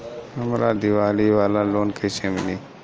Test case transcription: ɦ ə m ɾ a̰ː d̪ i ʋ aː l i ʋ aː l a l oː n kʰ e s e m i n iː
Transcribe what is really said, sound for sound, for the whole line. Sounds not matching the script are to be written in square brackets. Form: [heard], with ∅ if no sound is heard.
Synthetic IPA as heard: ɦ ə m ɾ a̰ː d̪ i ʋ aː l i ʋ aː l a l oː n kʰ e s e m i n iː